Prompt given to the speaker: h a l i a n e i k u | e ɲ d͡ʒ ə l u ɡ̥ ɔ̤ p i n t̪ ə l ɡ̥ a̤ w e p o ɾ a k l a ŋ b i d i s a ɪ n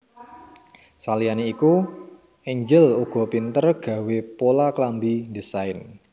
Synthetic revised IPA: s a l i a n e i k u | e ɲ d͡ʒ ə l u ɡ̥ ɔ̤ p i n t̪ ə r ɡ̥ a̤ w e p o l a k l a m b i d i s a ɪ n